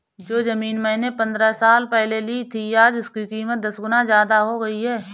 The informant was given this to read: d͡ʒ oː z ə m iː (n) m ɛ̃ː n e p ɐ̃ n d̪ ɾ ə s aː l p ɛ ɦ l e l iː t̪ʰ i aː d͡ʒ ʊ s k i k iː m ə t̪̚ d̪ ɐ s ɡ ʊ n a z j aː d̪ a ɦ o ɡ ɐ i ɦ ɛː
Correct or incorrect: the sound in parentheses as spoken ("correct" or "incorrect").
correct